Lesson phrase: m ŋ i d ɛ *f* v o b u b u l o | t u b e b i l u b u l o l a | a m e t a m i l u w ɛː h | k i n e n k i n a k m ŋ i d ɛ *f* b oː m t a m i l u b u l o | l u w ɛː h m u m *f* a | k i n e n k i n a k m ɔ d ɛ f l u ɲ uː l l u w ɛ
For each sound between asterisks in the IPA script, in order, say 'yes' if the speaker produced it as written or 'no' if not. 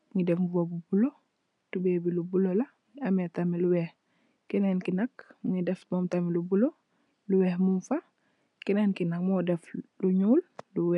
yes, yes, yes

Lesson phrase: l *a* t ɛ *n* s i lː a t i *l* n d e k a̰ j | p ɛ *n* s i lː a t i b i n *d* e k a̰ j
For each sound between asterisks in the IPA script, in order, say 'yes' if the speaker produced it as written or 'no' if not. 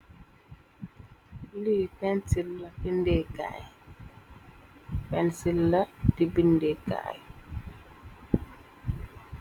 no, yes, no, yes, yes

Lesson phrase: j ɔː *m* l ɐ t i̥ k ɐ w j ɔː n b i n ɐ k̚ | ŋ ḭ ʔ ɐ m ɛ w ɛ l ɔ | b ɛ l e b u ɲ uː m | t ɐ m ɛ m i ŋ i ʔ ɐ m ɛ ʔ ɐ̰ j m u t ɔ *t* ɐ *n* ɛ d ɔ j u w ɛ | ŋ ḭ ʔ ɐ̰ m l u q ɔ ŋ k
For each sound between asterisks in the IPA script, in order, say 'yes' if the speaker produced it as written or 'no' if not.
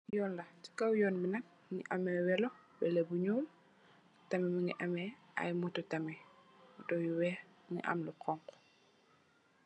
no, yes, no

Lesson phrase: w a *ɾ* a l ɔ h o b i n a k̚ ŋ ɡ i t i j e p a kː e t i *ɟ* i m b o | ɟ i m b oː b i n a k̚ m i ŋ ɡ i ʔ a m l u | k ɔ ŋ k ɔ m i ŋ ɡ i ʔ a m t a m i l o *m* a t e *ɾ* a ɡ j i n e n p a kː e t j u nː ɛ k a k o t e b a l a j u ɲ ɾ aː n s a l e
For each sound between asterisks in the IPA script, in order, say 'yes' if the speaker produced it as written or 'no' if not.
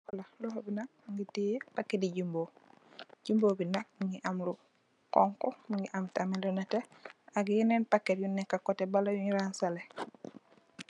no, yes, no, no

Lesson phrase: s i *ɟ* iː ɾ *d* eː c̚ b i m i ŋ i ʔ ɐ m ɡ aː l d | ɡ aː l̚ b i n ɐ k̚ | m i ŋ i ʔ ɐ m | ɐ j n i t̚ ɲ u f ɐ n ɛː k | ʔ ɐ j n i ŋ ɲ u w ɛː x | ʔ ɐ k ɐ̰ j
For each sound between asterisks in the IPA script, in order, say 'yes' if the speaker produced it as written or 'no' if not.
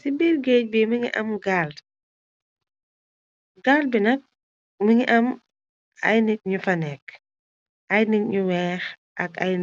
no, no

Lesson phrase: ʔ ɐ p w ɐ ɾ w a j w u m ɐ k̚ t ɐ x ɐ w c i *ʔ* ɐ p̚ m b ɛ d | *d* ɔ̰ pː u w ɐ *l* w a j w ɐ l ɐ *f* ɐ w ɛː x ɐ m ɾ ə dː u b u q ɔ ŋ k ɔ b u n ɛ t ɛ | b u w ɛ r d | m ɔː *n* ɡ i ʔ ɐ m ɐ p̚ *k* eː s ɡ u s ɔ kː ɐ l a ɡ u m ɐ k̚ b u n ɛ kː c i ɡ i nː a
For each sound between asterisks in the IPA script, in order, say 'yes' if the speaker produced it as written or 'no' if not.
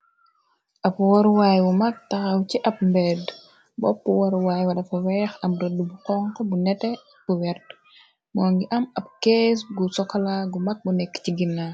yes, no, no, yes, no, yes

